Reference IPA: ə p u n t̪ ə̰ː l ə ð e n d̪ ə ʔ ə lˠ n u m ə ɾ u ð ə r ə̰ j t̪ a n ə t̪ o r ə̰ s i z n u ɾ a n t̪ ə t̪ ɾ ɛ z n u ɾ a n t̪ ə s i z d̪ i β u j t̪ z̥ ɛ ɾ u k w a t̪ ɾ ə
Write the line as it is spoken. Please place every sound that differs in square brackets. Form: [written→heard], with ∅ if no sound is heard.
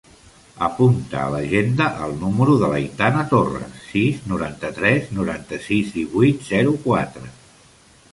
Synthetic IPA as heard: ə p u n t̪ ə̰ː l ə [ð→ʒ] e n d̪ ə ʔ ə lˠ n u m ə ɾ u ð ə [r→l] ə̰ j t̪ a n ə t̪ o r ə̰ s i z n u ɾ a n t̪ ə t̪ ɾ ɛ z n u ɾ a n t̪ ə s i z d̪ i β u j t̪ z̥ ɛ ɾ u k w a t̪ ɾ ə